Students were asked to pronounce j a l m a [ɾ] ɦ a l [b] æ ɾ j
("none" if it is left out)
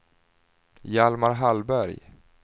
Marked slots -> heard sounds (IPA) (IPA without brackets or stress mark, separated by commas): ɾ, b